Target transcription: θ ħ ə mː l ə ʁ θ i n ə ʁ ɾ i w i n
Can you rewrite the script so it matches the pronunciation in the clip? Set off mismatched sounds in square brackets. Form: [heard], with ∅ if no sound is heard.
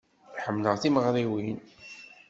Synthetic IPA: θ ħ ə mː l ə ʁ θ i [m] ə ʁ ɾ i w i n